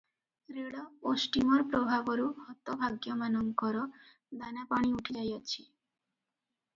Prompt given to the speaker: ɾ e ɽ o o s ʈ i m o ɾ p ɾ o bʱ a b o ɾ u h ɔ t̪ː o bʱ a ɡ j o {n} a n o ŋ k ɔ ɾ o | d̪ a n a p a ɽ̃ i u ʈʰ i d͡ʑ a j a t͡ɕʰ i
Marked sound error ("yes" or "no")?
yes